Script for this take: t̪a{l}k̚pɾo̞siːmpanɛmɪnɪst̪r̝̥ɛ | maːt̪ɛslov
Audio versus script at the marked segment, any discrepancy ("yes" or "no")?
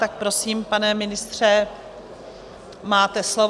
yes